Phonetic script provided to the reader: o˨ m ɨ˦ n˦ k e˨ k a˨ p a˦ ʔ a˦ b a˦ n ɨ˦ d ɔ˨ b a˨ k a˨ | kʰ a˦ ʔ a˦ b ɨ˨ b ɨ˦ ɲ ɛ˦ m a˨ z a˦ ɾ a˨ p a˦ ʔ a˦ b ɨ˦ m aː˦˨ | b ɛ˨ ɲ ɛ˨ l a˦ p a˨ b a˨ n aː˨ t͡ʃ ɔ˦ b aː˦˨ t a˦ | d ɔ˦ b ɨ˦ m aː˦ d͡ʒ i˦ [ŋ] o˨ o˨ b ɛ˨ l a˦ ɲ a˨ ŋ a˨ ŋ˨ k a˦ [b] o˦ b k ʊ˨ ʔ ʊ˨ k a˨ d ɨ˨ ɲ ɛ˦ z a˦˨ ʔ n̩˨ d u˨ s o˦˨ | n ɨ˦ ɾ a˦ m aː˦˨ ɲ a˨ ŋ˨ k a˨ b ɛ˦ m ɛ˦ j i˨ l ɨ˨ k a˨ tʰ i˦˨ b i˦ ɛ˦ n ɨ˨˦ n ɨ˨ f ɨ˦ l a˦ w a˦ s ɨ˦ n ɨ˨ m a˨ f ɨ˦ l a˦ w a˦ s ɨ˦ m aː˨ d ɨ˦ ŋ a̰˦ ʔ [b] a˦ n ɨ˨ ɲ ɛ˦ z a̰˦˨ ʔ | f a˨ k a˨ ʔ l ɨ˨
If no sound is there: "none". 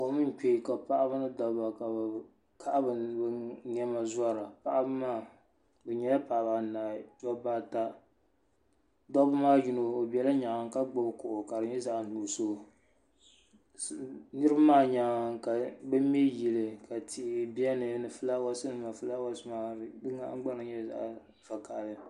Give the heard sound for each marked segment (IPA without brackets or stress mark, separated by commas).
n, ɡ͡b, ɡ͡b